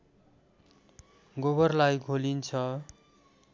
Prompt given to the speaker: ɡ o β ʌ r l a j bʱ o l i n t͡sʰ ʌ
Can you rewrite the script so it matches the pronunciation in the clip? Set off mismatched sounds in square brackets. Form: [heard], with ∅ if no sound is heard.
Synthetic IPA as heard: ɡ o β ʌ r l a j [ɡʱ] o l i n t͡sʰ ʌ